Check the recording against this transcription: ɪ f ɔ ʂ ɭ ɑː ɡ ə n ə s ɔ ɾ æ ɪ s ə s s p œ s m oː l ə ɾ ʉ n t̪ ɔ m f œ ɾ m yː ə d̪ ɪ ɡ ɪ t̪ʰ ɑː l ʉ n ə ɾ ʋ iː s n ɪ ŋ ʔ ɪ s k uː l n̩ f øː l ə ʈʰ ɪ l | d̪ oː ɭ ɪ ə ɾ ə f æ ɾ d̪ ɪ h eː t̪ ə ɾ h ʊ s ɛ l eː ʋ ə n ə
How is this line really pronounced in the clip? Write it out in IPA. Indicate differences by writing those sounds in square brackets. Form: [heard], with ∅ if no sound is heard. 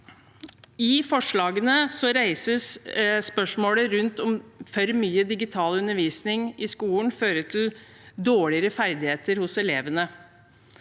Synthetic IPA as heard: ɪ f ɔ ʂ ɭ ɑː ɡ ə n ə s ɔ ɾ æ ɪ s ə s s p œ [ʂ] m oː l ə ɾ ʉ n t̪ ɔ m f œ ɾ m yː ə d̪ ɪ ɡ ɪ t̪ʰ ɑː l ʉ n ə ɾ ʋ iː s n ɪ ŋ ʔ ɪ s k uː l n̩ f øː [ɾ] ə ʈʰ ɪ l | d̪ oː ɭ ɪ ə ɾ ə f æ ɾ d̪ ɪ h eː t̪ ə ɾ h ʊ s ɛ l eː ʋ ə n ə

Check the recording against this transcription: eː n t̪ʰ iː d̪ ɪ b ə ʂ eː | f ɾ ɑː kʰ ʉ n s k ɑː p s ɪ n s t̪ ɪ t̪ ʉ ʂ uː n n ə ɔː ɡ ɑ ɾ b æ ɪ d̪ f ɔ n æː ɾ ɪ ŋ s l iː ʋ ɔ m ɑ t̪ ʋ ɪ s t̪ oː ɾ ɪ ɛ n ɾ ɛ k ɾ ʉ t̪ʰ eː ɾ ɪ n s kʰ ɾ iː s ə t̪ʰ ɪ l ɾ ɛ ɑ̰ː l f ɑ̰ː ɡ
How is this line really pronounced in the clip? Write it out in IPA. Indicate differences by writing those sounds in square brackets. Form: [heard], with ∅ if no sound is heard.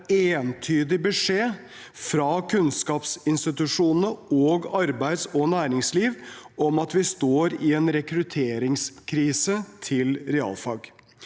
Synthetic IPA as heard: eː n t̪ʰ [yː] d̪ ɪ b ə ʂ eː | f ɾ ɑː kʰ ʉ n s k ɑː p s ɪ n s t̪ ɪ t̪ ʉ ʂ uː n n ə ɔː ɡ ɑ ɾ b æ ɪ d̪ [s] ɔ n æː ɾ ɪ ŋ s l iː ʋ ɔ m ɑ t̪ ʋ ɪ s t̪ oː ɾ ɪ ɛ n ɾ ɛ k ɾ ʉ t̪ʰ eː ɾ ɪ [ŋ] s kʰ ɾ iː s ə t̪ʰ ɪ l ɾ ɛ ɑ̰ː l f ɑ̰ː ɡ

